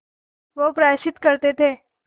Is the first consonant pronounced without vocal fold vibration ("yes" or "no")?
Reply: no